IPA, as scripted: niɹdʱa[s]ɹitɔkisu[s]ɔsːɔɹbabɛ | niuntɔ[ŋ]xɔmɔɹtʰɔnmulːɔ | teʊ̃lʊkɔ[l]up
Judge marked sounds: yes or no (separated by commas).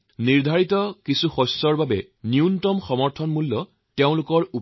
no, no, no, no